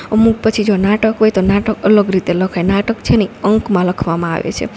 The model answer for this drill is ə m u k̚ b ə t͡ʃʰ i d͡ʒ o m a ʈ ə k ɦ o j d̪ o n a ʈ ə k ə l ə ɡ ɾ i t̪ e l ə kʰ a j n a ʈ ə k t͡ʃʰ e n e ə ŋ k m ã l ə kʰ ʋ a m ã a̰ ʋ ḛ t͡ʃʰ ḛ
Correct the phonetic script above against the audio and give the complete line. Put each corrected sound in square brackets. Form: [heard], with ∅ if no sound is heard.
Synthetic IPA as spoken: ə m u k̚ [p] ə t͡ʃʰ i d͡ʒ o [n] a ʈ ə k ɦ o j [t̪] o n a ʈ ə k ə l ə ɡ ɾ i t̪ e l ə kʰ a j n a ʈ ə k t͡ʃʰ e n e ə ŋ k m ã l ə kʰ ʋ a m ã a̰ ʋ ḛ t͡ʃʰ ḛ